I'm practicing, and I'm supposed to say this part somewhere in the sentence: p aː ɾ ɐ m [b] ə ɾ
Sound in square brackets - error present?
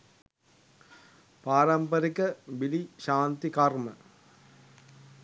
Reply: yes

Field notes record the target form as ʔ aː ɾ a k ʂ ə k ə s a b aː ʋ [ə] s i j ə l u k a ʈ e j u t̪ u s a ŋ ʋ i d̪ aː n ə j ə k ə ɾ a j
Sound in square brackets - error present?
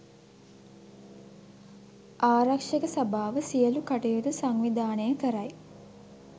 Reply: no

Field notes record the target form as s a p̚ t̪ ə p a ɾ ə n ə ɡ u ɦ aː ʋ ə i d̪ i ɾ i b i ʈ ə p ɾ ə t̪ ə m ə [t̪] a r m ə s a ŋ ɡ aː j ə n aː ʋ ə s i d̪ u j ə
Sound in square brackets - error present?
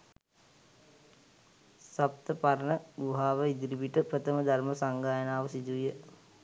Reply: yes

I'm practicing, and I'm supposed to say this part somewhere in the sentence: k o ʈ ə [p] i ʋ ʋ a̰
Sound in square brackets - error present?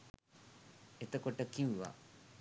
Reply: yes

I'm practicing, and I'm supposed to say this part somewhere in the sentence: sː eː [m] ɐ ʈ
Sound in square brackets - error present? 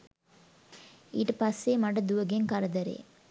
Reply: no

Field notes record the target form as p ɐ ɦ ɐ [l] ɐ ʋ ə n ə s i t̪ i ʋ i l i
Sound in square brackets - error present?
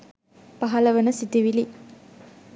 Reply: no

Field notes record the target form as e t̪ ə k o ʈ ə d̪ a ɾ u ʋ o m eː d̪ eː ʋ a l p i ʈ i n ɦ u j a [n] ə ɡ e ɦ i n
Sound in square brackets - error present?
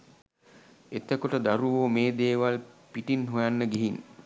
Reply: yes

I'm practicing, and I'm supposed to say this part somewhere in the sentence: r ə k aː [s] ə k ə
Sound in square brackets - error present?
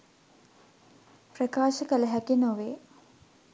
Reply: yes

